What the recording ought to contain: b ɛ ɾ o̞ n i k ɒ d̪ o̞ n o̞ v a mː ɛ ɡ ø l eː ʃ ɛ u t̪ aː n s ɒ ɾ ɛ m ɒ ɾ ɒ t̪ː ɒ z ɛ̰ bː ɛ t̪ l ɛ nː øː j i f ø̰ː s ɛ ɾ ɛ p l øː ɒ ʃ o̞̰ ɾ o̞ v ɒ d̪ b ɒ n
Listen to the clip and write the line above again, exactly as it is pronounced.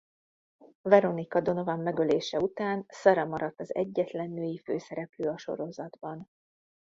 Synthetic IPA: v ɛ ɾ o̞ n i k ɒ d̪ o̞ n o̞ v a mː ɛ ɡ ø l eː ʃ ɛ u t̪ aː n s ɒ ɾ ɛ m ɒ ɾ ɒ t̪ː ɒ z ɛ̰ ɟː ɛ t̪ l ɛ nː øː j i f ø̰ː s ɛ ɾ ɛ p l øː ɒ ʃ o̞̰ ɾ o̞ z ɒ d̪ b ɒ n